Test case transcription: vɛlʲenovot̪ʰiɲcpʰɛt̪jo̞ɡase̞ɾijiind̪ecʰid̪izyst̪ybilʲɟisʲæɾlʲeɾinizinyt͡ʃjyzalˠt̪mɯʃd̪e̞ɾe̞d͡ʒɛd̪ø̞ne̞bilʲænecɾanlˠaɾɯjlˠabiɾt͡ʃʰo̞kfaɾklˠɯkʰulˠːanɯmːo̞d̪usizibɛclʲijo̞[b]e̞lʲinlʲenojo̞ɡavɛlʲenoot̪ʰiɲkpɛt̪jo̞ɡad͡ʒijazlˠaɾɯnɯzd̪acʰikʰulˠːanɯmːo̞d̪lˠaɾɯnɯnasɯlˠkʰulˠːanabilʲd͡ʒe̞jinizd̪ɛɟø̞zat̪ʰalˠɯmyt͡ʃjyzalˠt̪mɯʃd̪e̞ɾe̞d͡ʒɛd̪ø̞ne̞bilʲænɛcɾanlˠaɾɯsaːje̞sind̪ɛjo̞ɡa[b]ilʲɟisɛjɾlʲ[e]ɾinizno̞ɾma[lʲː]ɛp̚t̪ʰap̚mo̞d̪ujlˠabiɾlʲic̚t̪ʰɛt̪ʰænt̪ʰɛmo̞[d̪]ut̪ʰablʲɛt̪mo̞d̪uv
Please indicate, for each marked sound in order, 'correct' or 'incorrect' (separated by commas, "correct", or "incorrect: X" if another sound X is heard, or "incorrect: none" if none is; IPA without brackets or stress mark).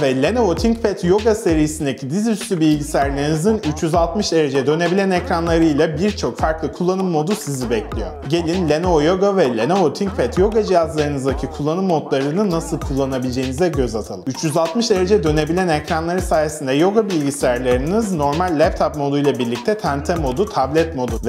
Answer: incorrect: ɟ, correct, correct, correct, correct